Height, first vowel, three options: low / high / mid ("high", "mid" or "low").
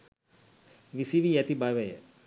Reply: high